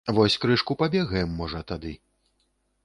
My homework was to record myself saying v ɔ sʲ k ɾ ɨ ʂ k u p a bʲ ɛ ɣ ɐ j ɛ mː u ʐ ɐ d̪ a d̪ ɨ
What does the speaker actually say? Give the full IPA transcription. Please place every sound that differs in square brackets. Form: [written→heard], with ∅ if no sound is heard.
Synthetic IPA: v ɔ sʲ k ɾ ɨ ʂ k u p a bʲ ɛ ɣ ɐ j ɛ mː [u→ɔ] ʐ ɐ [d̪→t̪] a d̪ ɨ